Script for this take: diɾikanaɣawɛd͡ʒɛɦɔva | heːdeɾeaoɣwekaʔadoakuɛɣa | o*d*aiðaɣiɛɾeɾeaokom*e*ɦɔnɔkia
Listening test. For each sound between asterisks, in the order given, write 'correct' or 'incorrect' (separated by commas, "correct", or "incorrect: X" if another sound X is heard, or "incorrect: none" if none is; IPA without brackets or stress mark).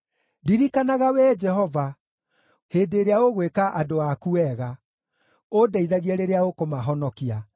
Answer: correct, incorrect: a